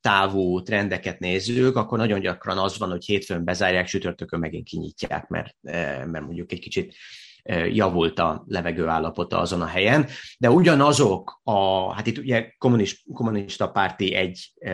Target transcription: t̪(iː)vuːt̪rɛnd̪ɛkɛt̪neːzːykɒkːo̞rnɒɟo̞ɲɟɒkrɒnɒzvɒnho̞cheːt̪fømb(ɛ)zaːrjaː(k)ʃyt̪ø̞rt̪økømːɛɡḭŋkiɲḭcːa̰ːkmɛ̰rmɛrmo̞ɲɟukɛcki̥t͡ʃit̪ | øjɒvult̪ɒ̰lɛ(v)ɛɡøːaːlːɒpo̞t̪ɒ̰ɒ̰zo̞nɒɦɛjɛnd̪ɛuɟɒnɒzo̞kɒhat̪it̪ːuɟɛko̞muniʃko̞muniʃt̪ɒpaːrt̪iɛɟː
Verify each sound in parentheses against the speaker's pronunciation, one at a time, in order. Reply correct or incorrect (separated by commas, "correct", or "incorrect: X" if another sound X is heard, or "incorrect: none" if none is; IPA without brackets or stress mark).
incorrect: aː, correct, correct, correct